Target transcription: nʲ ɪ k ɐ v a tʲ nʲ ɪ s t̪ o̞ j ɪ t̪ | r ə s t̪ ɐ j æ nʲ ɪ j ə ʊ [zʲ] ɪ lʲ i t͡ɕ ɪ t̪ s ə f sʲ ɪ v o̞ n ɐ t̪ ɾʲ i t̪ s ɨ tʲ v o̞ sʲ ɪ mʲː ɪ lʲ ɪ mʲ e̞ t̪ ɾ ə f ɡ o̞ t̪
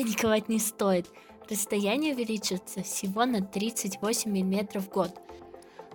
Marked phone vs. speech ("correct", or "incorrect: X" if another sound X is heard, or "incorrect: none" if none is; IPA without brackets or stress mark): incorrect: vʲ